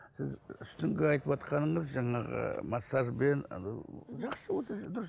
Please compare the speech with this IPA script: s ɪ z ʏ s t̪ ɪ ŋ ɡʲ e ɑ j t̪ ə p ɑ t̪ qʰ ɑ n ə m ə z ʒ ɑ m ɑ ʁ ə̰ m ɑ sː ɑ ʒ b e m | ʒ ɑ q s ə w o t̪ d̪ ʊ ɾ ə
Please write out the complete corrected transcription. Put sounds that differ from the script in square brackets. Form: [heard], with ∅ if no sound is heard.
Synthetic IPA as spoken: s ɪ z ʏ s t̪ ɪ ŋ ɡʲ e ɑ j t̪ ə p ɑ t̪ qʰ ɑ n ə [ɴ] ə z ʒ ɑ [ɴ] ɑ ʁ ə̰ m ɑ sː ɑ ʒ b e [n] | ʒ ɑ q s ə w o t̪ d̪ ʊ ɾ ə